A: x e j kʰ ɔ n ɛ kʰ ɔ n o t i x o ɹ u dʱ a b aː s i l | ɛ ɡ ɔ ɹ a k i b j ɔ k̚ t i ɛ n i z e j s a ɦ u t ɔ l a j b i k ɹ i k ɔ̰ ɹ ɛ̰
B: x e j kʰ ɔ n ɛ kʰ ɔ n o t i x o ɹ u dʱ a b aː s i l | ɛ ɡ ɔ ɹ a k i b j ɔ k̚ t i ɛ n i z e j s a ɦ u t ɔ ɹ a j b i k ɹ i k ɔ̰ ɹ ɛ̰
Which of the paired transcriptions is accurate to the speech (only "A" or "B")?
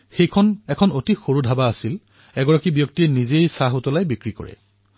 A